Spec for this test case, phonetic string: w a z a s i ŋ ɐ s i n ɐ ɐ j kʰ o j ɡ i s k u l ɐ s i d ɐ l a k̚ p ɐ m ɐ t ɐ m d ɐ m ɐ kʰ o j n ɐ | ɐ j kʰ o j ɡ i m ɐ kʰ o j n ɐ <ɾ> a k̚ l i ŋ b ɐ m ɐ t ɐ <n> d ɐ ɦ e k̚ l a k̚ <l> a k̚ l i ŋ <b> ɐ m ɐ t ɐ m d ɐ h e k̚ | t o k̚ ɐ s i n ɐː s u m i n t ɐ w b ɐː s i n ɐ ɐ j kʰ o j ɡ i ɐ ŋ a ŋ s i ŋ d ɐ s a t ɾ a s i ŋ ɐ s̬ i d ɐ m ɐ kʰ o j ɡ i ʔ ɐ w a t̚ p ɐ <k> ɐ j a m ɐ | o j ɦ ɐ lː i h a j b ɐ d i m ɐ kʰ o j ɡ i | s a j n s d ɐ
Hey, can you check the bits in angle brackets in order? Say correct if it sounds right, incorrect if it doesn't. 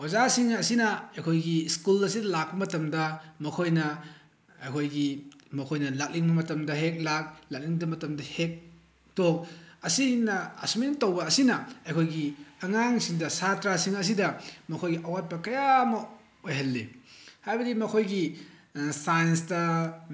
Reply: incorrect: l, incorrect: m, correct, incorrect: d, correct

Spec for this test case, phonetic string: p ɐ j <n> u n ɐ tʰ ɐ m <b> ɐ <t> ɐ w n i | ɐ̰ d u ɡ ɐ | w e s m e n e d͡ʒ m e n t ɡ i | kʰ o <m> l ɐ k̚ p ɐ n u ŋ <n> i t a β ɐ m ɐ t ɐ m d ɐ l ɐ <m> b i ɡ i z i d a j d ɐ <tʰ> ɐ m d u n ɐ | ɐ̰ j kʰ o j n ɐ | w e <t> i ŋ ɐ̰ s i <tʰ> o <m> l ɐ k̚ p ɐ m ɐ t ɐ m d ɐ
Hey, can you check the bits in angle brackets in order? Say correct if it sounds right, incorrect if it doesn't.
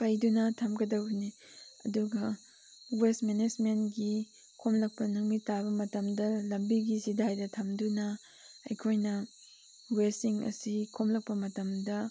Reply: incorrect: d, incorrect: ɡ, incorrect: d, correct, incorrect: m, correct, correct, incorrect: s, incorrect: kʰ, correct

